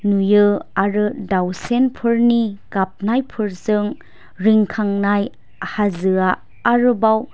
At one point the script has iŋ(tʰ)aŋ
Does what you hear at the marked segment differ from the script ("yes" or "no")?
yes